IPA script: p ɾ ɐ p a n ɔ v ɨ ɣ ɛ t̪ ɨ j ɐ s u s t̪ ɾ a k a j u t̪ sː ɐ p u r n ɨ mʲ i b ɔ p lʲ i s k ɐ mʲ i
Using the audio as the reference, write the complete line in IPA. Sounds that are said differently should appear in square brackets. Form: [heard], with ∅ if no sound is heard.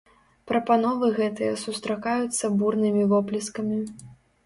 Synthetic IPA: p ɾ ɐ p a n ɔ v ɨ ɣ ɛ t̪ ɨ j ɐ s u s t̪ ɾ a k a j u t̪ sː ɐ [b] u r n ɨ mʲ i [v] ɔ p lʲ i s k ɐ mʲ i